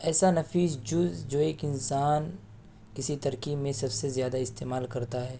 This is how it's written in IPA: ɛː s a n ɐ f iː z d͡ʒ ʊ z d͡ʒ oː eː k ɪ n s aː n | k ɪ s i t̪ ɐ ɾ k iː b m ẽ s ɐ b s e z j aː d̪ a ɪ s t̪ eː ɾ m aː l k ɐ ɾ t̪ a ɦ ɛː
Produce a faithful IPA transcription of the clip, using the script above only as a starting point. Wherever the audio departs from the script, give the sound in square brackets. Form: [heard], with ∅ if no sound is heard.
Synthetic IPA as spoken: ɛː s a n ɐ f iː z d͡ʒ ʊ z d͡ʒ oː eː k ɪ n s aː n | k ɪ s i t̪ ɐ ɾ k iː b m ẽ s ɐ b s e z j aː d̪ a ɪ s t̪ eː [∅] m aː l k ɐ ɾ t̪ a ɦ ɛː

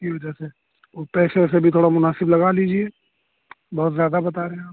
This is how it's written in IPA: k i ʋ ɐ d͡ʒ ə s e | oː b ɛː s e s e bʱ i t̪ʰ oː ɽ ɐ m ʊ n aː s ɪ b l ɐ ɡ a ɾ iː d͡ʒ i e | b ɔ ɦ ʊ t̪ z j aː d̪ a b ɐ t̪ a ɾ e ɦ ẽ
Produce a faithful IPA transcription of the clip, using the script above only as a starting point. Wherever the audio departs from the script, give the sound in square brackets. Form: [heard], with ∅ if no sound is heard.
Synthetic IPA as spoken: k i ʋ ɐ d͡ʒ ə s e | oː [p] ɛː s e s e bʱ i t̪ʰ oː ɽ [a] m ʊ n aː s ɪ b l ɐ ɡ a [l] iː d͡ʒ i e | b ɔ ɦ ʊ t̪ z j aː d̪ a b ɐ t̪ a ɾ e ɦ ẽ

